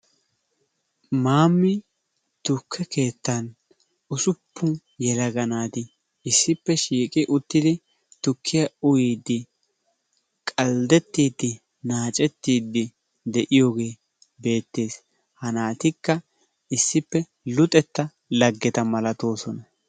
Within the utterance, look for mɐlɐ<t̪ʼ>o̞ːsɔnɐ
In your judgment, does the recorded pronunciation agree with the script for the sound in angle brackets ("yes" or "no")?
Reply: no